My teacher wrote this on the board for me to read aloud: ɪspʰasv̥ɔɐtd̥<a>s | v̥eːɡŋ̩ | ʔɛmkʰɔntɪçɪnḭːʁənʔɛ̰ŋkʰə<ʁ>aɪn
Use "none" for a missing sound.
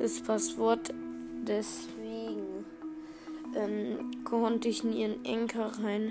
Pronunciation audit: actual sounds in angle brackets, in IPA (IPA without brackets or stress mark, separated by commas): ɛ, ʁ